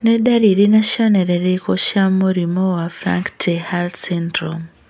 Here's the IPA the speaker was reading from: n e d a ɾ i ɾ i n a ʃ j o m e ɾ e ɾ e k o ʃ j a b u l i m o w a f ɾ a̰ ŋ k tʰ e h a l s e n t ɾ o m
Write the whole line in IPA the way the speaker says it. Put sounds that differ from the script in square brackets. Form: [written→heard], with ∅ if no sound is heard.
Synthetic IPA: n e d a ɾ i ɾ i n a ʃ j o [m→n] e ɾ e ɾ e k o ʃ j a [b→m] u [l→ɾ] i m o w a f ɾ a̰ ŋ k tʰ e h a l s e n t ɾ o m